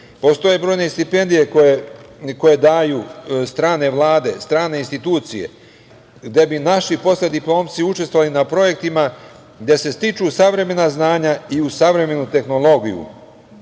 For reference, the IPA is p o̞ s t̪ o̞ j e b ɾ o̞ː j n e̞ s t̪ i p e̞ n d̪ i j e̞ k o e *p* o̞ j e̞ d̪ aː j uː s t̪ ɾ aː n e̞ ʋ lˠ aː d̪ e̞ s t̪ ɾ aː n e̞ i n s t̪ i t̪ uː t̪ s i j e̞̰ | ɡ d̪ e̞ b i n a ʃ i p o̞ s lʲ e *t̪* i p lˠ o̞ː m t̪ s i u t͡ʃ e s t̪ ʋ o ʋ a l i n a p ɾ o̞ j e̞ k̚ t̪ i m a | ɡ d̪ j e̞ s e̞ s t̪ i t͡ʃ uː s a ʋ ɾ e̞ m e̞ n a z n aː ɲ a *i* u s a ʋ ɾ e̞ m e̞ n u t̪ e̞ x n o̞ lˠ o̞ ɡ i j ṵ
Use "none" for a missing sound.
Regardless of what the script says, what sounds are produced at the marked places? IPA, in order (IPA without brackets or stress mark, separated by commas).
k, d̪, i